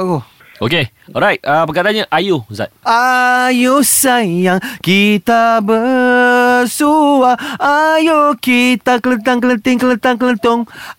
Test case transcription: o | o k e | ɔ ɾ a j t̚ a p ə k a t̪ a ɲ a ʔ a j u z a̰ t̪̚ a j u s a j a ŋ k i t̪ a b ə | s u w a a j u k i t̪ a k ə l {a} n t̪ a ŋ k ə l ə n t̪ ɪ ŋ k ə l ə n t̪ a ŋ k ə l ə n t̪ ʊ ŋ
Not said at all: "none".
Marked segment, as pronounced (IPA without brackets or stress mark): ə